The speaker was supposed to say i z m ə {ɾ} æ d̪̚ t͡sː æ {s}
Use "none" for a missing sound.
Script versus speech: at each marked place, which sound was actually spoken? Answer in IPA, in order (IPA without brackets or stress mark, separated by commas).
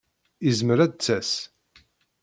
ɾ, s